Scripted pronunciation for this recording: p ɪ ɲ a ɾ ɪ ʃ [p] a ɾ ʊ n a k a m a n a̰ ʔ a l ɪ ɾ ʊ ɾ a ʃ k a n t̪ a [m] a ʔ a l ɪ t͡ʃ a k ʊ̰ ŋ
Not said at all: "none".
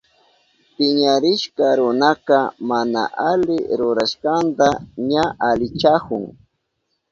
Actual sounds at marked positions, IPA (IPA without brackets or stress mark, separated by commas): k, ɲ